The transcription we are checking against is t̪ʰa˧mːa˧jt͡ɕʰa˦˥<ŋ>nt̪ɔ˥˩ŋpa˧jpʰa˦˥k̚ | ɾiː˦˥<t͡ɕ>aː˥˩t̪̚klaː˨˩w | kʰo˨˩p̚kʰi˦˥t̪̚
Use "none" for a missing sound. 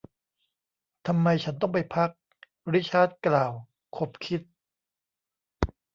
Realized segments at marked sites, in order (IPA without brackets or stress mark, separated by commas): none, t͡ɕʰ